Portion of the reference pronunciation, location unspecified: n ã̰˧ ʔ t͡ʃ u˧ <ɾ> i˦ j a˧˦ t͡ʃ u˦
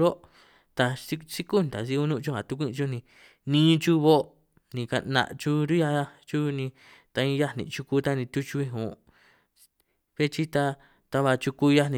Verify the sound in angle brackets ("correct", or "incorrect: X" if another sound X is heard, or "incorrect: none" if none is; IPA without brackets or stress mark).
correct